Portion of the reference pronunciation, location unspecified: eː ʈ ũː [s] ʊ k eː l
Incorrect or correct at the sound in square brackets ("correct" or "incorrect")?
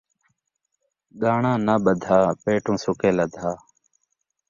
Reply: correct